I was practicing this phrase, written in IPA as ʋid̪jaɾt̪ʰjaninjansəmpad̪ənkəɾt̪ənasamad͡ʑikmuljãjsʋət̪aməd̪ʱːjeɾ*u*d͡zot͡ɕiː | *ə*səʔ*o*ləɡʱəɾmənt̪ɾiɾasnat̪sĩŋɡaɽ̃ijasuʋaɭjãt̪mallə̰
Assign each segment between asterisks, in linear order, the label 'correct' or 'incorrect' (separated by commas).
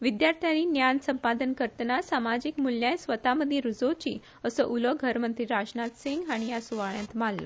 correct, correct, incorrect